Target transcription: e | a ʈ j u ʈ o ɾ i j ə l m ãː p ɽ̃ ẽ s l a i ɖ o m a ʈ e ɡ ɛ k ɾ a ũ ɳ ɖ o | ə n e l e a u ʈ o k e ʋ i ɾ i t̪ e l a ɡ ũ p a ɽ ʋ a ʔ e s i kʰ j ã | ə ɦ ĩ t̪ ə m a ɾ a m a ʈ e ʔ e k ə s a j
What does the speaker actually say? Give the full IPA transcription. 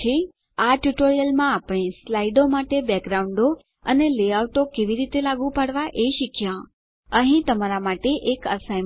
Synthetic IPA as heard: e | a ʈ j u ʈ o ɾ i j ə l m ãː p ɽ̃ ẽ s l a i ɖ o m a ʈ e b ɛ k ɾ a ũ ɳ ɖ o | ə n e l e a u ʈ o k e ʋ i ɾ i t̪ e l a ɡ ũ p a ɽ ʋ a ʔ e ʃ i kʰ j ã | ə ɦ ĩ t̪ ə m a ɾ a m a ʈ e ʔ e k ə s a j